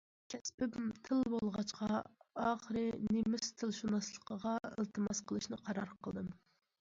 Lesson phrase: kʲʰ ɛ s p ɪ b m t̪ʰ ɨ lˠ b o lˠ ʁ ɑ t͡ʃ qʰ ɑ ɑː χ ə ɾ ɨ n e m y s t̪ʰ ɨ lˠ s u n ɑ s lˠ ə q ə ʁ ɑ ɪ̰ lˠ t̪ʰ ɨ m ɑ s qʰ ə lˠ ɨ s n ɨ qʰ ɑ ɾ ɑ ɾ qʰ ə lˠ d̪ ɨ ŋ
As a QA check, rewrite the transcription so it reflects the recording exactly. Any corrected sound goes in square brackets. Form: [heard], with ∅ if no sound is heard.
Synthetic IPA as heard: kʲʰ ɛ s p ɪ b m t̪ʰ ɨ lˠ b o lˠ ʁ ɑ t͡ʃ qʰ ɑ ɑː χ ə ɾ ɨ n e m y s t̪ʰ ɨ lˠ [ʃ] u n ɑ s lˠ ə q ə ʁ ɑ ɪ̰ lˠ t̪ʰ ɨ m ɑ s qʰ ə lˠ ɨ [ʃ] n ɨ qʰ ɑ ɾ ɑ ɾ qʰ ə lˠ d̪ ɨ [m]